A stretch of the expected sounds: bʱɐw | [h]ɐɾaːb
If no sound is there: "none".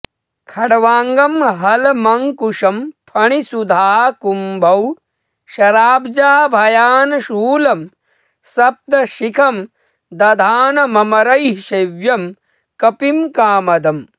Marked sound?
ʃ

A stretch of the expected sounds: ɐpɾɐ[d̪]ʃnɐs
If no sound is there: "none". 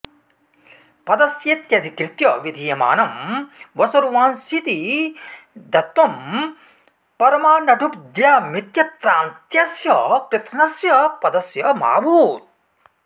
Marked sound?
t̪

